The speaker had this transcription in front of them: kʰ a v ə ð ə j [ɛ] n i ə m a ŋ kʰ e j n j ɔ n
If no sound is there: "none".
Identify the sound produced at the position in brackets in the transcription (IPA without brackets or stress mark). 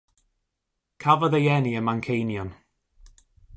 ɛ